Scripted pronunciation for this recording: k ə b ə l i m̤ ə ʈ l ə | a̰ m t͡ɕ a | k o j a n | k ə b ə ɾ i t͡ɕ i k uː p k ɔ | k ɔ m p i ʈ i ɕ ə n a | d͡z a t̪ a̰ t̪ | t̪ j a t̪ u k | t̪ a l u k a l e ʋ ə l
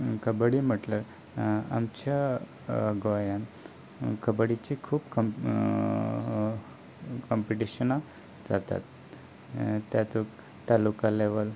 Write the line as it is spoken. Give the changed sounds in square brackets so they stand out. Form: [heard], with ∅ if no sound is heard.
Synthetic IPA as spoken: k ə b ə [ɽ] i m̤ ə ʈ l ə | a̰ m t͡ɕ a | [ɡ] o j a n | k ə b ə [ɽ] i t͡ɕ i [kʰ] uː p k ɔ | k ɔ m p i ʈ i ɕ ə n a | d͡z a t̪ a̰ t̪ | t̪ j a t̪ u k | t̪ a l u k a l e ʋ ə l